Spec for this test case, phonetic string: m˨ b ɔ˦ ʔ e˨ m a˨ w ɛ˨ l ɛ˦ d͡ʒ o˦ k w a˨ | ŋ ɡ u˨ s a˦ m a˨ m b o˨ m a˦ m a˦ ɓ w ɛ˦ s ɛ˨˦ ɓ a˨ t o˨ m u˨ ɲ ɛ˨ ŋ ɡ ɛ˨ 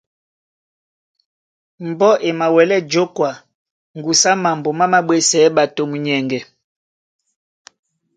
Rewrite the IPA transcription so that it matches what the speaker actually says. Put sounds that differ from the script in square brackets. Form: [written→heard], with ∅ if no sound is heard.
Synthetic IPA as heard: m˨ b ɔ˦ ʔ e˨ m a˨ w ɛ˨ l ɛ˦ d͡ʒ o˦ k w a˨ | ŋ ɡ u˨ s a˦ m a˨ m b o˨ m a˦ m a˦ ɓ w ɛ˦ s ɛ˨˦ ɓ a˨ t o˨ m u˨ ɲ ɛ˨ ŋ ɡ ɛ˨

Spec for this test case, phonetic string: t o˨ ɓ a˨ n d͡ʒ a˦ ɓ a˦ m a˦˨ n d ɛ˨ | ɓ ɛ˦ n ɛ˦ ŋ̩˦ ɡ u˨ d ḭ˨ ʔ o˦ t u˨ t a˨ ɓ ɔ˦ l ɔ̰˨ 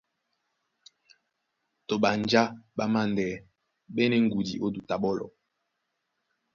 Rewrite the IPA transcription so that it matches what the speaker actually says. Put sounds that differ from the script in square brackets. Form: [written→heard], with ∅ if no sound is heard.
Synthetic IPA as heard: t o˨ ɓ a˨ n d͡ʒ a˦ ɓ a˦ m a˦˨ n d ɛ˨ | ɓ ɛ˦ n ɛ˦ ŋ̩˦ ɡ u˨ d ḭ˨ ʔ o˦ [t→d] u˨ t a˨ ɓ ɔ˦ l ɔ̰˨

